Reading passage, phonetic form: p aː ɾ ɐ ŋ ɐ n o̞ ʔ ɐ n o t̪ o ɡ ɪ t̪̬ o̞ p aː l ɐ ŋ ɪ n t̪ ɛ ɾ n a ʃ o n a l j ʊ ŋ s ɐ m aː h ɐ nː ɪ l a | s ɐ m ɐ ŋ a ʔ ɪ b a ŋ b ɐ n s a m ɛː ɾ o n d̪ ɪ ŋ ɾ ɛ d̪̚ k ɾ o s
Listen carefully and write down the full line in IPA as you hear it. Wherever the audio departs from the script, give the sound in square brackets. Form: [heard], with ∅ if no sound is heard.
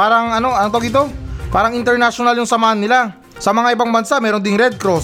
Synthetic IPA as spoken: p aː ɾ ɐ ŋ ɐ n o̞ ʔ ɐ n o t̪ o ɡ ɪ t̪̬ o̞ p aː [ɾ] ɐ ŋ ɪ n t̪ ɛ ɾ n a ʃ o n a l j ʊ ŋ s ɐ m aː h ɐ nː ɪ l a | s ɐ m ɐ ŋ a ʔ ɪ b a ŋ b ɐ n s a m ɛː ɾ o n d̪ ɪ ŋ ɾ ɛ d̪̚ k ɾ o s